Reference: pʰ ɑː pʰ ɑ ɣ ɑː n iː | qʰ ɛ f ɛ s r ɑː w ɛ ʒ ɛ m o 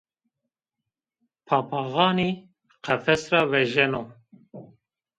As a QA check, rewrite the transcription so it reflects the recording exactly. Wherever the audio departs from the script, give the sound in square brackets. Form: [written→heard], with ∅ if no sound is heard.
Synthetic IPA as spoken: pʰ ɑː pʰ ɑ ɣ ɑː n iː | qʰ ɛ f ɛ s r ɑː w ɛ ʒ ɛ [m→n] o